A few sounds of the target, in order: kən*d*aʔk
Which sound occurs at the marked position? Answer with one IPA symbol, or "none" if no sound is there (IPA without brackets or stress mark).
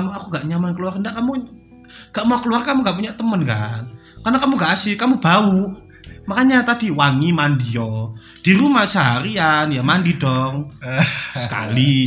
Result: d